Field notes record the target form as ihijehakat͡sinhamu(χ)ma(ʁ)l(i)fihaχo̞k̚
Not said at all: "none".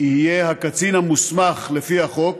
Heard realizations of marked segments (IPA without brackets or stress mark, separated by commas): s, χ, e